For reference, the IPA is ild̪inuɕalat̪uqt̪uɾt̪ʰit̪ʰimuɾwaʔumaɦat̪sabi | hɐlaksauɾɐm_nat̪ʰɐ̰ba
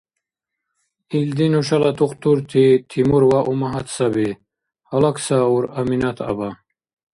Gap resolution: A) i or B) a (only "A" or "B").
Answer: A